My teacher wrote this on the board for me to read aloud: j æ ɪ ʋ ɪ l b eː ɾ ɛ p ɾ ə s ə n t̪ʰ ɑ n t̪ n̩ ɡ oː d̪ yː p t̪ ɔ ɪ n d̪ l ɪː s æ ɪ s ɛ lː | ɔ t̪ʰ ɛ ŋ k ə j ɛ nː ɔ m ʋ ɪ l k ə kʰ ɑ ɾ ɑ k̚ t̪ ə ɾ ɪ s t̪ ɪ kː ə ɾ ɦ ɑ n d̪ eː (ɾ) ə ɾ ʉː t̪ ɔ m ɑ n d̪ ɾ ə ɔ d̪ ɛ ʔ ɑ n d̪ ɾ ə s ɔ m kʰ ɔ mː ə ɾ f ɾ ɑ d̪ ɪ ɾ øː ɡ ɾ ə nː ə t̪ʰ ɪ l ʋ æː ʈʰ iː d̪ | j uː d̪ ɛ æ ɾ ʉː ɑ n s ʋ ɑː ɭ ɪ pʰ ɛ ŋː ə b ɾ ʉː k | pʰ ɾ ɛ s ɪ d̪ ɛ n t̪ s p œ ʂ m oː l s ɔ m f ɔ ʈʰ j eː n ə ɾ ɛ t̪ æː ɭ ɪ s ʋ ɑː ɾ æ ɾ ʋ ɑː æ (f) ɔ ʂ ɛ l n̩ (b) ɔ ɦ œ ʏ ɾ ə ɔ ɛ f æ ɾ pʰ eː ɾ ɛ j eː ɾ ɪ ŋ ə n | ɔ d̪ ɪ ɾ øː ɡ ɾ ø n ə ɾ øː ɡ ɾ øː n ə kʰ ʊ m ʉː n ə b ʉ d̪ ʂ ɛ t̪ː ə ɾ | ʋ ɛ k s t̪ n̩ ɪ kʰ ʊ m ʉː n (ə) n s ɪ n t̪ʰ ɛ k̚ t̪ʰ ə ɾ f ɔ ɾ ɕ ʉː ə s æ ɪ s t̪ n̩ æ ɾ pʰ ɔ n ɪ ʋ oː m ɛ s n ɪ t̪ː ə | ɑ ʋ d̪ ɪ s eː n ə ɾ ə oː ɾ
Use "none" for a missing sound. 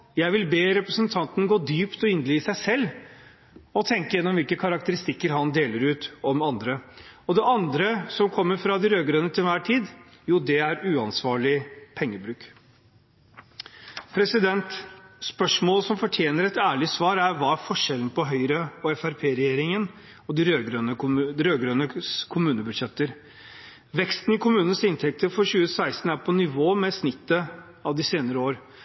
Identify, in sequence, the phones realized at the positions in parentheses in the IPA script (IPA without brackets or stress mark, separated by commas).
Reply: l, f, p, ə